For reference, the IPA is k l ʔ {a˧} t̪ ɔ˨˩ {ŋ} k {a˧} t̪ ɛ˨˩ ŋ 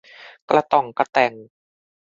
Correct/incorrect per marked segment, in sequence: correct, correct, correct

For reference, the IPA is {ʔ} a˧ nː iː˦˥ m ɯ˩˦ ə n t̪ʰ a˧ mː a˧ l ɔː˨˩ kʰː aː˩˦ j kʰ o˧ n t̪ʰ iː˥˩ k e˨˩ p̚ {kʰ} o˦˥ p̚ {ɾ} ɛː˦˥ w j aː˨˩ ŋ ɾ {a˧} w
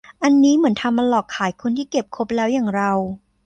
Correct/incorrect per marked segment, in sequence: correct, correct, incorrect: l, correct

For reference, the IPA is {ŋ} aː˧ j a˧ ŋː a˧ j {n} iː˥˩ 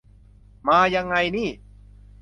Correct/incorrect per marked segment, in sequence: incorrect: m, correct

